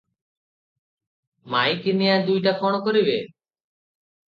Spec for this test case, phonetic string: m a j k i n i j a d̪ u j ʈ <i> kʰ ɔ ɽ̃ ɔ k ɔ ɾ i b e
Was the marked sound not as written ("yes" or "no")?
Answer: yes